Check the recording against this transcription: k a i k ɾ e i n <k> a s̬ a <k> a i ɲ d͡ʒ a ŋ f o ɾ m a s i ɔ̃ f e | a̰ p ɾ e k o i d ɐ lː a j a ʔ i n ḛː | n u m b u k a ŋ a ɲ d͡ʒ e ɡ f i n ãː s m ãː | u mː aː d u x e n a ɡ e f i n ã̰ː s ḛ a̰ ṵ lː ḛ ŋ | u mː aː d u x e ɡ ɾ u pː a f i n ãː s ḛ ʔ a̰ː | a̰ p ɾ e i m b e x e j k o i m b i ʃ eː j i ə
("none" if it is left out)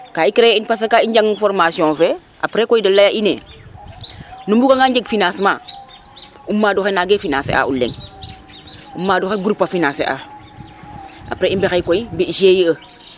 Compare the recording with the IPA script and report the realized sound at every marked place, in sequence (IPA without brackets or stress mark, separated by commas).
p, k